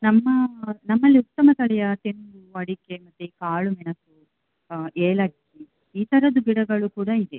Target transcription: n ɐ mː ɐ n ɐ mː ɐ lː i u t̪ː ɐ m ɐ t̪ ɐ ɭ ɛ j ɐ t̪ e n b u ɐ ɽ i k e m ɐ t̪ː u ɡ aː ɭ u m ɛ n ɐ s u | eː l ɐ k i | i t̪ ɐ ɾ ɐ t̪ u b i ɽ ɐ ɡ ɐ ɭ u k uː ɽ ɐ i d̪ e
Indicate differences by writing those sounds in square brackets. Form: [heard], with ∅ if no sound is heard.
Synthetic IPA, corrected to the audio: n ɐ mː ɐ n ɐ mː ɐ lː i u t̪ː ɐ m ɐ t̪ ɐ ɭ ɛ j ɐ t̪ e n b u ɐ ɽ i k e m ɐ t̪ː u [k] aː ɭ u m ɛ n ɐ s u | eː l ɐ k i | [iː] t̪ ɐ ɾ ɐ [d̪] u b i ɽ ɐ ɡ ɐ ɭ u k uː ɽ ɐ i d̪ e